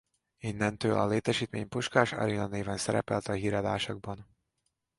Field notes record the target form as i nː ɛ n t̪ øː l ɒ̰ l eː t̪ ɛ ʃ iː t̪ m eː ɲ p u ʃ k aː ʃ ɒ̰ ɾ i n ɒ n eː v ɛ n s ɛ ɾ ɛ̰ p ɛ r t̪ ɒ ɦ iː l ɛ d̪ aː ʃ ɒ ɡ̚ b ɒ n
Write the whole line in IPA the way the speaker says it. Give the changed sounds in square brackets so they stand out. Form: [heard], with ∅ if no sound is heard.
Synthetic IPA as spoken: i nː ɛ n t̪ øː l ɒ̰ l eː t̪ ɛ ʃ iː t̪ m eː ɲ p u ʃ k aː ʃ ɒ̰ ɾ i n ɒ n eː v ɛ n s ɛ ɾ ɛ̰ p ɛ [l] t̪ ɒ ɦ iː [ɾ] ɛ d̪ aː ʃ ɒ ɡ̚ b ɒ n